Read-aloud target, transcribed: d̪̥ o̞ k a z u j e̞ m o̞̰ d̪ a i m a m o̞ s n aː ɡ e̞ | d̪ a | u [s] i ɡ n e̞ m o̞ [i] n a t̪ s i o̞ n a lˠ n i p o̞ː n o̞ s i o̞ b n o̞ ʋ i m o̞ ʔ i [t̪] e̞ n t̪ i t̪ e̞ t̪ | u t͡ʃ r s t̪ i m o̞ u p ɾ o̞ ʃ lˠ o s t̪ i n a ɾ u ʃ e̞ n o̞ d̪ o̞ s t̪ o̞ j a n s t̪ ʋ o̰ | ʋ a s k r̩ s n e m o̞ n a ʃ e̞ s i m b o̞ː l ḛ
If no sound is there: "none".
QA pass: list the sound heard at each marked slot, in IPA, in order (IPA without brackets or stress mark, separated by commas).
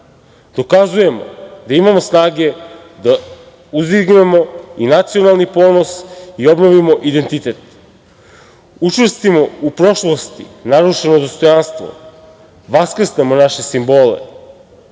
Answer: z, i, d̪